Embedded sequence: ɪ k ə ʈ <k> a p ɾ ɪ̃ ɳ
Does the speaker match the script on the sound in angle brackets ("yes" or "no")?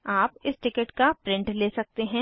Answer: yes